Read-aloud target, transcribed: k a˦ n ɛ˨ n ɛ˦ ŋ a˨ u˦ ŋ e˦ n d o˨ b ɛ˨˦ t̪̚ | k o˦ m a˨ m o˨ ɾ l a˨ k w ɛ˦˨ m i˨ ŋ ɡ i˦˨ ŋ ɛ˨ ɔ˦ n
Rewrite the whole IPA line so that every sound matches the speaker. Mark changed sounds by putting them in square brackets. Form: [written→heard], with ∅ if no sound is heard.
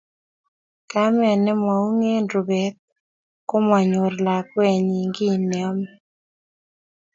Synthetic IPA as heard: k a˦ [n→m] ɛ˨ n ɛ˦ [ŋ→m] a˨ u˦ ŋ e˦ n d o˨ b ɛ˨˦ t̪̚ | k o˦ m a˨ [m→ɲ] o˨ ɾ l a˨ k w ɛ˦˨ [m→ɲ] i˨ ŋ ɡ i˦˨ [ŋ→n] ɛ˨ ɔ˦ [n→m]